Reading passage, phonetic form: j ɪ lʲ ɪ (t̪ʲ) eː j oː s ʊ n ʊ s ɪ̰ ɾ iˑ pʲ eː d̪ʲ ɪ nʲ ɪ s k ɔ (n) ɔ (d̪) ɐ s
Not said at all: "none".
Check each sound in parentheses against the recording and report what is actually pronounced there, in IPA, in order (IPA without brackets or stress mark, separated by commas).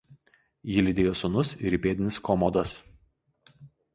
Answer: d̪ʲ, m, d̪